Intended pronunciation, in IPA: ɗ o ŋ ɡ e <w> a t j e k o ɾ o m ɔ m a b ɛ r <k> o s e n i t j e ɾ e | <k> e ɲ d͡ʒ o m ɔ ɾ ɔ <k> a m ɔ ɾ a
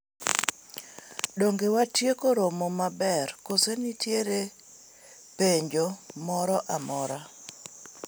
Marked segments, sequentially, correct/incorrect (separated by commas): correct, correct, incorrect, incorrect